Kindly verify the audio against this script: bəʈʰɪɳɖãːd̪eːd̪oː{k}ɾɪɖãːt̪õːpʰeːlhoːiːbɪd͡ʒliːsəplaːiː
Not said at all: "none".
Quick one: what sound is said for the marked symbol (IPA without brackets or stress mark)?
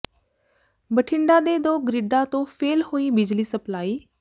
ɡ